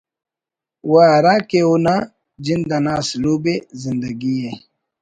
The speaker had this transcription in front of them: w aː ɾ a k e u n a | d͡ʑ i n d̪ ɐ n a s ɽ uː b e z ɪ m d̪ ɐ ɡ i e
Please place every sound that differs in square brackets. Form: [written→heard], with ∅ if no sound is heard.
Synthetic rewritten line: w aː ɾ a k e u n a | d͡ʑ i n d̪ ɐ n a s [ɽ→l] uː b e z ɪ [m→n] d̪ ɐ ɡ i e